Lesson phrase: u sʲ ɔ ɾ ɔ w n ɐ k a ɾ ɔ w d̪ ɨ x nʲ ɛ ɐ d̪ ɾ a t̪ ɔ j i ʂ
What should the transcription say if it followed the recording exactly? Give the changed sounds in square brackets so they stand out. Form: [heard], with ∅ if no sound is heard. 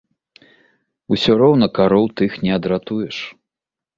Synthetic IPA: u sʲ ɔ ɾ ɔ w n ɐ k a ɾ ɔ w [t̪] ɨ x nʲ ɛ ɐ d̪ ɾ a t̪ [u] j [ɛ] ʂ